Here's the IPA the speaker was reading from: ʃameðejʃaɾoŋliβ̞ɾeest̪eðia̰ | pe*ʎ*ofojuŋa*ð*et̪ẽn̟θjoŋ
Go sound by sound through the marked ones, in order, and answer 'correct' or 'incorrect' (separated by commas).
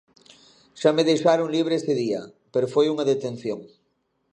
incorrect, correct